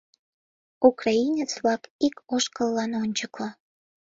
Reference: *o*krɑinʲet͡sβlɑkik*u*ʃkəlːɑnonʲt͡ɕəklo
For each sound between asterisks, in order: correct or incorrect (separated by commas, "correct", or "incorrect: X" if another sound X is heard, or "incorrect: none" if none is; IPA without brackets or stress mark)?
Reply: incorrect: u, incorrect: o